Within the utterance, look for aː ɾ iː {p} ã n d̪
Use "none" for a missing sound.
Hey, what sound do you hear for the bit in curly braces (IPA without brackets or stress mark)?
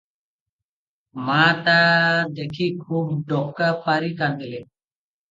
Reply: k